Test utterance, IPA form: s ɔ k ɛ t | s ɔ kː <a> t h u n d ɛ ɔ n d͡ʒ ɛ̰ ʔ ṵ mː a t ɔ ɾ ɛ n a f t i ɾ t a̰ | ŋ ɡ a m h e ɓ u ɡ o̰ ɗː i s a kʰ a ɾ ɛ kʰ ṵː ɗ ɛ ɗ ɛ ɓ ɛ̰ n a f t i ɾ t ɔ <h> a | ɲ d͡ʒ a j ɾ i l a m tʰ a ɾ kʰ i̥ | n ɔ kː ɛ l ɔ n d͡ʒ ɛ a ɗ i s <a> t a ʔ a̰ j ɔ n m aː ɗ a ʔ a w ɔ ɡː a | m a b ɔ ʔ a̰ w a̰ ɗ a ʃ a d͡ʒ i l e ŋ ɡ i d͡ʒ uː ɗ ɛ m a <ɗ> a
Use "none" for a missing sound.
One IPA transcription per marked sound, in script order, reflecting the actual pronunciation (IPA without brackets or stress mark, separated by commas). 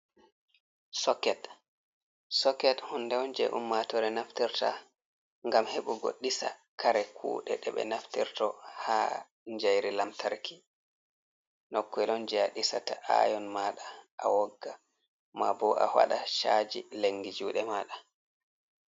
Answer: ɛ, h, a, ɗ